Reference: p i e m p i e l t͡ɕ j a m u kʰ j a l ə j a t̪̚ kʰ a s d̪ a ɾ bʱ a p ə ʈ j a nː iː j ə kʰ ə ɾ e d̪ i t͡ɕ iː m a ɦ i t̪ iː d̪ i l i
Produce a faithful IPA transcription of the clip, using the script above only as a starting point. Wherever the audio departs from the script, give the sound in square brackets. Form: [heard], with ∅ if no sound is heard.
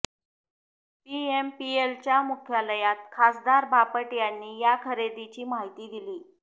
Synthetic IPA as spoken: p i e m p i e l t͡ɕ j a m u kʰ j a l ə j a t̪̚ kʰ a s d̪ a ɾ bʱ a p ə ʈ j a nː iː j [a] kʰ ə ɾ e d̪ i t͡ɕ iː m a ɦ i t̪ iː d̪ i l [iː]